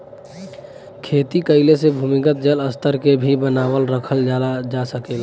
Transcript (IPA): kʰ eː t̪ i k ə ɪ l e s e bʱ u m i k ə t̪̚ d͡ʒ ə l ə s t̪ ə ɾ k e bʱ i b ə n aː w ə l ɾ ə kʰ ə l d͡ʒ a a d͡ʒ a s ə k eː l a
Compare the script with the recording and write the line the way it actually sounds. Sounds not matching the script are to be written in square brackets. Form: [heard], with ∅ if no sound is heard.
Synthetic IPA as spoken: kʰ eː t̪ i k ə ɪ l e s e bʱ u m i k ə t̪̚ d͡ʒ ə l ə s t̪ ə ɾ k e bʱ i b ə n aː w ə l ɾ ə kʰ ə l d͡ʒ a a d͡ʒ a s ə k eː l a

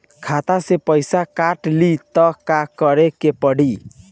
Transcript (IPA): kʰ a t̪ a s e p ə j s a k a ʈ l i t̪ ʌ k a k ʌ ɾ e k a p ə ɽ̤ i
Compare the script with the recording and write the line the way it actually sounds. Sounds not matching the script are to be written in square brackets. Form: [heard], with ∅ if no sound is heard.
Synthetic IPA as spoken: kʰ a t̪ a s e p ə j s a k a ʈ l i t̪ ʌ k a k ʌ ɾ e k [e] p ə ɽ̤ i

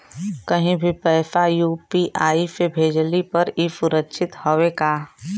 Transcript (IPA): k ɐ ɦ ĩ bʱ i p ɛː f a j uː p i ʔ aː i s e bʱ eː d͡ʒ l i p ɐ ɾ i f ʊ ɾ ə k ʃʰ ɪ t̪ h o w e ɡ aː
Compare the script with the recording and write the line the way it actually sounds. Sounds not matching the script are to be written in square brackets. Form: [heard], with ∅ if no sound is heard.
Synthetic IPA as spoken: k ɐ ɦ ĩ bʱ i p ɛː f a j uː p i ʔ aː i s e bʱ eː d͡ʒ l i p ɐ ɾ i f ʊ ɾ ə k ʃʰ ɪ t̪ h o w e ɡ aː

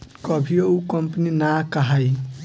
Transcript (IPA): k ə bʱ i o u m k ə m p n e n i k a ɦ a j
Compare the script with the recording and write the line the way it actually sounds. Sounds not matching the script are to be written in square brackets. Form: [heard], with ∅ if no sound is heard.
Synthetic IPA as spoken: k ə bʱ i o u [∅] k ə m p n [i] n [a] k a ɦ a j

